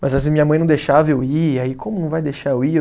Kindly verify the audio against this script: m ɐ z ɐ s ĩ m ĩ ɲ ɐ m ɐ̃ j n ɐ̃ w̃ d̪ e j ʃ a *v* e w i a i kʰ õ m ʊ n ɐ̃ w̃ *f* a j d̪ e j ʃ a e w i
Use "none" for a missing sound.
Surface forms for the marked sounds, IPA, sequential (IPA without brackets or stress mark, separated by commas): v, v